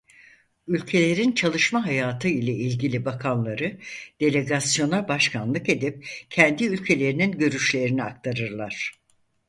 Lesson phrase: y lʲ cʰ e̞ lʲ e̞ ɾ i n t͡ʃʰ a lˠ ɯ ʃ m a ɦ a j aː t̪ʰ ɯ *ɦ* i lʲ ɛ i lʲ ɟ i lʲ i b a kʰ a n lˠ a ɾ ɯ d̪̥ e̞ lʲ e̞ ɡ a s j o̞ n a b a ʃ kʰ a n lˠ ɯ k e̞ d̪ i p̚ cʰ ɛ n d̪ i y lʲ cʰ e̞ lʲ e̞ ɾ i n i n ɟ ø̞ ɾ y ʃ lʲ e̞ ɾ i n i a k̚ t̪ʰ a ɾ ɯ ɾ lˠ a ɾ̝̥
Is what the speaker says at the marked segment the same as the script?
no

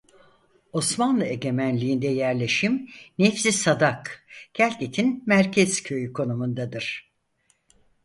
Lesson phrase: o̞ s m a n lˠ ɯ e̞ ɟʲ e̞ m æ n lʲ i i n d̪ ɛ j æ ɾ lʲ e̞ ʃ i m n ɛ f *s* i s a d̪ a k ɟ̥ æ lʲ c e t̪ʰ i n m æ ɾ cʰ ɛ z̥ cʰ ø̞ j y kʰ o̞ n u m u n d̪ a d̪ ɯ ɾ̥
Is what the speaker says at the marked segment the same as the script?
yes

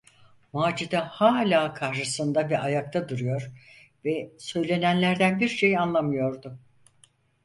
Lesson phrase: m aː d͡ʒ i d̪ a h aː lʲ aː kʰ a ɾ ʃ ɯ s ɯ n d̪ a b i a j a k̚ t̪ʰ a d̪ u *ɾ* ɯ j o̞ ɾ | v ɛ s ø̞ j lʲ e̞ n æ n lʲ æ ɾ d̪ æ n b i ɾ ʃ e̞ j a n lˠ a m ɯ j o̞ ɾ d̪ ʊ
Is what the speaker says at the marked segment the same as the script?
yes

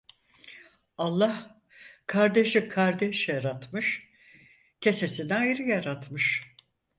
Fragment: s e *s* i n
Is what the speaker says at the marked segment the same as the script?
yes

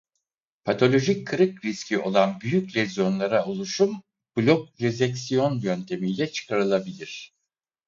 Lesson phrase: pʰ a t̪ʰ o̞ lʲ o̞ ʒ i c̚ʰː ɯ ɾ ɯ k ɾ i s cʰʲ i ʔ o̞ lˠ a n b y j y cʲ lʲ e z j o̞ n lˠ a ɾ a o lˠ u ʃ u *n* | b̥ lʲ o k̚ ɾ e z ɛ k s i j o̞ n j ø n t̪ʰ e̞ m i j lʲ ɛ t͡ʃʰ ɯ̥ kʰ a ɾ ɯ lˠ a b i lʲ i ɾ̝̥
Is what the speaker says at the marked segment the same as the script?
no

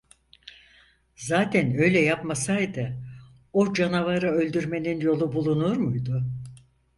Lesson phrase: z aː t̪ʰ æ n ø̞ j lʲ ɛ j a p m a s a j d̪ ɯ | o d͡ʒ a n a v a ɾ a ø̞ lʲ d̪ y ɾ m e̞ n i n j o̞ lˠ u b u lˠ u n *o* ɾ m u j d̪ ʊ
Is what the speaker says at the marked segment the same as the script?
no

